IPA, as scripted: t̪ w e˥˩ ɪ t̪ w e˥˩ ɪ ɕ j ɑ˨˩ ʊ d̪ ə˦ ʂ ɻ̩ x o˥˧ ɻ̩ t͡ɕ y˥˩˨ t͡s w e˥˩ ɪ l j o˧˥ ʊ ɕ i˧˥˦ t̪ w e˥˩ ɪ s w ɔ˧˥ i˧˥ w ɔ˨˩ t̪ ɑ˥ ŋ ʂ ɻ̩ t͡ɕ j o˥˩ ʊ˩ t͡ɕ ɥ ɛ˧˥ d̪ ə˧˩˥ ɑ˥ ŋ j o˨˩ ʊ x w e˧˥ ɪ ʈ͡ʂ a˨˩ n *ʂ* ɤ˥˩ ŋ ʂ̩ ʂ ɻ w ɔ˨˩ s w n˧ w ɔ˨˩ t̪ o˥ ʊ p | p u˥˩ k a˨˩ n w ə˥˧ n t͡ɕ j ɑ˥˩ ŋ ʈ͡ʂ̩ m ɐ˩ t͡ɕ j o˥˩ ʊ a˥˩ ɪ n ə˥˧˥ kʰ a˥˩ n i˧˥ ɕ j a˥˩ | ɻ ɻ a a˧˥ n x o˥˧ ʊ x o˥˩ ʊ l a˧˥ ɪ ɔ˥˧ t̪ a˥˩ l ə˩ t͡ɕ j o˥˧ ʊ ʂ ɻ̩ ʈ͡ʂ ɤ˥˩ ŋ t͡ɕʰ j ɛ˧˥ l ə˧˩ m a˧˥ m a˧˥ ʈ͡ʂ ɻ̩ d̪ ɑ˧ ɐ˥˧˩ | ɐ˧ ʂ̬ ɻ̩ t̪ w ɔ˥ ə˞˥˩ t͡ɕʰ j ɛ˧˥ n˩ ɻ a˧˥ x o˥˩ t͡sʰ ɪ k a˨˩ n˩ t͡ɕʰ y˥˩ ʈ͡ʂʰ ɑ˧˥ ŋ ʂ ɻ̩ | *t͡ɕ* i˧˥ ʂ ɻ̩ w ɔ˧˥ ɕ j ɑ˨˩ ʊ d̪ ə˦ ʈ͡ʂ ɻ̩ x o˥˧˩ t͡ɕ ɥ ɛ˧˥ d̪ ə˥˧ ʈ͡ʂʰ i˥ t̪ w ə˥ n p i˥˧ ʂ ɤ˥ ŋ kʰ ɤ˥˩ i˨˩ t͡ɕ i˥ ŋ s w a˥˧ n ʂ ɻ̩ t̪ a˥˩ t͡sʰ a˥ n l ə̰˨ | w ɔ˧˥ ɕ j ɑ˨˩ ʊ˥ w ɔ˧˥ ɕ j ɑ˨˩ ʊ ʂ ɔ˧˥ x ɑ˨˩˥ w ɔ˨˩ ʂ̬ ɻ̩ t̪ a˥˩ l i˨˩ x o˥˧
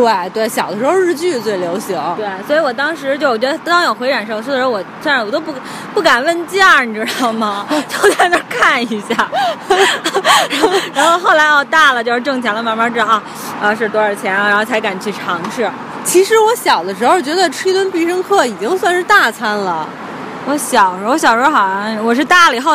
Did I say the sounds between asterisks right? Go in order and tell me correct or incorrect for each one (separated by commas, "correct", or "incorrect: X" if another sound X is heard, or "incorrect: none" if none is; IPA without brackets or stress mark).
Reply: correct, incorrect: t͡ɕʰ